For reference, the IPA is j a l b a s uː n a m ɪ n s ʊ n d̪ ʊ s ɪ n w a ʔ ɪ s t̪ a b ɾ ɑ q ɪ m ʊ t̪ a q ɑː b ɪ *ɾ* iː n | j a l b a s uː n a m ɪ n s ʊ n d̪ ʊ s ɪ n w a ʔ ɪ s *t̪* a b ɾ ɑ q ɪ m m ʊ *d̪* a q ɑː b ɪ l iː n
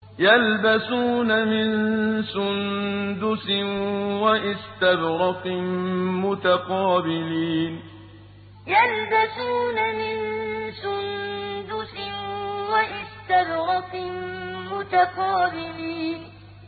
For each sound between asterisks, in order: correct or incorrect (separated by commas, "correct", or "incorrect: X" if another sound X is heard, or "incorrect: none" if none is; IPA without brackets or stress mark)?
incorrect: l, correct, incorrect: t̪